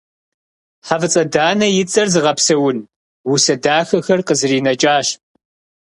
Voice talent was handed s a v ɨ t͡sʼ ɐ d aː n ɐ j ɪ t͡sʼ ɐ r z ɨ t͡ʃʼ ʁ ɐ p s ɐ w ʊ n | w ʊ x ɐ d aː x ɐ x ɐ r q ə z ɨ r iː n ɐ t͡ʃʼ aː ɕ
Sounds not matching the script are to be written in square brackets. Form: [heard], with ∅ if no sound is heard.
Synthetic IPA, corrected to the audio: [ħ] a v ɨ t͡sʼ ɐ d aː n ɐ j ɪ t͡sʼ ɐ r z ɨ [∅] ʁ ɐ p s ɐ w ʊ n | w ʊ [s] ɐ d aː x ɐ x ɐ r q ə z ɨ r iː n ɐ t͡ʃʼ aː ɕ